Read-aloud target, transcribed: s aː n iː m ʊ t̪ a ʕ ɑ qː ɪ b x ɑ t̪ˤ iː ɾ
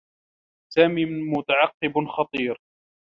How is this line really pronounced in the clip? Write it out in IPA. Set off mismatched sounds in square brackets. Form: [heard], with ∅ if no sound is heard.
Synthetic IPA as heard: s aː [m] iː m ʊ t̪ a ʕ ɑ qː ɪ b x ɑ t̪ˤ iː ɾ